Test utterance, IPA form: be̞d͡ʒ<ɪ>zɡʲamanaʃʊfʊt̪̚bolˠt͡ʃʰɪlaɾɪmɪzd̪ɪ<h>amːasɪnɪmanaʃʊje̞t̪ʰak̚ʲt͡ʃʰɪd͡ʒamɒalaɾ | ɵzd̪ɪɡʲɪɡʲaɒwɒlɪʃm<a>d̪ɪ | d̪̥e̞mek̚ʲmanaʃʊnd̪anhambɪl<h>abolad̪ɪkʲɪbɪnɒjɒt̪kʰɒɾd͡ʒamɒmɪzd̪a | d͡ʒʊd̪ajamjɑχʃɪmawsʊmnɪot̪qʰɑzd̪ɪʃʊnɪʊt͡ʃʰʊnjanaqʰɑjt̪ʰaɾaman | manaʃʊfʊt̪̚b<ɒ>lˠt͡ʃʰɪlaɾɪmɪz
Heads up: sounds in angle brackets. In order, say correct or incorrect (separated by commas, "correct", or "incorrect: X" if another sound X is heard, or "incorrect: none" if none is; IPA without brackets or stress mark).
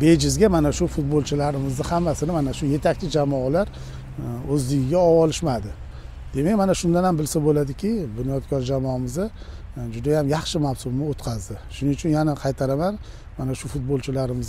correct, correct, correct, incorrect: s, incorrect: o